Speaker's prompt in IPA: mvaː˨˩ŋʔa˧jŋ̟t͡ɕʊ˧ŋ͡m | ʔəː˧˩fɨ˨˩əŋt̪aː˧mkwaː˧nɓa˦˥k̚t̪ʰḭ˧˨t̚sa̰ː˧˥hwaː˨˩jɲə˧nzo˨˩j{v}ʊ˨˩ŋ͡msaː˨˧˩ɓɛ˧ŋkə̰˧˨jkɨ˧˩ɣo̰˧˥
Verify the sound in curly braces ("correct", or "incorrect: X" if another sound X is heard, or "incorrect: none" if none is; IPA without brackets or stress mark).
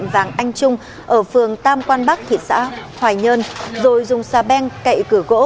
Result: incorrect: z